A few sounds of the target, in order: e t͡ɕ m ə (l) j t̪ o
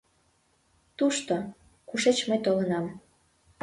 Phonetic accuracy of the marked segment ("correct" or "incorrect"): incorrect